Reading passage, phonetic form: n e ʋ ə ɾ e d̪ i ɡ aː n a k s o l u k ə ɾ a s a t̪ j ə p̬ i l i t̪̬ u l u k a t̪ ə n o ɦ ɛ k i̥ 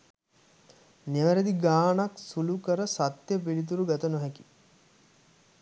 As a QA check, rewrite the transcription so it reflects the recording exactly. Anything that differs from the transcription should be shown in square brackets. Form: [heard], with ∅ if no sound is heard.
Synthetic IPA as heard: n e ʋ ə ɾ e d̪ i ɡ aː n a k s [u] l u k ə ɾ [ə] s a t̪ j ə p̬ i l i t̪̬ u [ɾ] u [ɡ] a t̪ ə n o ɦ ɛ k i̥